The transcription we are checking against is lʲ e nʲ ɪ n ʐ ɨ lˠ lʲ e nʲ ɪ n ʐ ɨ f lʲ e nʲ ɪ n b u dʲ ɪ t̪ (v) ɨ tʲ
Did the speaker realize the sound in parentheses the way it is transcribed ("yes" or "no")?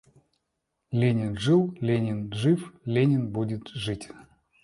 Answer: no